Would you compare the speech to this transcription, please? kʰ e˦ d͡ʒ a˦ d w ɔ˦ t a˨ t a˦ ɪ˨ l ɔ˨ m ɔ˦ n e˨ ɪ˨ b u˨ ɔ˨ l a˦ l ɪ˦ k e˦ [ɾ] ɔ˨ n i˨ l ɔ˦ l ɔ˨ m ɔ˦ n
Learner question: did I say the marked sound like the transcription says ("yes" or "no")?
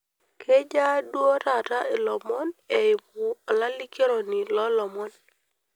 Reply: yes